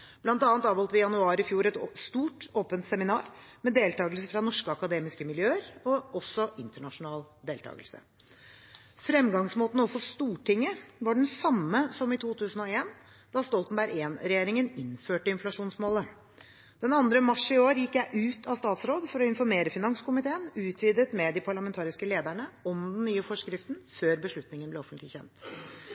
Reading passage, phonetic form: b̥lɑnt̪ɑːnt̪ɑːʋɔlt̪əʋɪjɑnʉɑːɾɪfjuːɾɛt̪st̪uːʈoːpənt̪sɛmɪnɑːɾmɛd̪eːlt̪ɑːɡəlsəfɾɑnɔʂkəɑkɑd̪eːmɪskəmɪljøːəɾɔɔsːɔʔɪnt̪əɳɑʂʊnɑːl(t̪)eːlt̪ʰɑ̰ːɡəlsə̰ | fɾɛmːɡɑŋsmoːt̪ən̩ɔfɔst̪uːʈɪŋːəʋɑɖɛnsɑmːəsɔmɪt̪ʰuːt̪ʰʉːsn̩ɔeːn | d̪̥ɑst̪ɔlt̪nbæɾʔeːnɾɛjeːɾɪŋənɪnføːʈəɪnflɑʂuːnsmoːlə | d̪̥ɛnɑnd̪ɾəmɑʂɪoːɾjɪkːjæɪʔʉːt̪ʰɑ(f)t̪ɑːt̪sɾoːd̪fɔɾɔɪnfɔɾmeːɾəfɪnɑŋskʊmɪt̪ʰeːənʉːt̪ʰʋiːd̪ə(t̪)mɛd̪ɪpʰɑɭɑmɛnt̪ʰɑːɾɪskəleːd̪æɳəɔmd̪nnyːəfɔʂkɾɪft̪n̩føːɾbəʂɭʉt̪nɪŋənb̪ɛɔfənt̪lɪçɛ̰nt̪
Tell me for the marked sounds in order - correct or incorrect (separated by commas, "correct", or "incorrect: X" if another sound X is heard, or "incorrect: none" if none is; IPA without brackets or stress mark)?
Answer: incorrect: d̪, incorrect: s, correct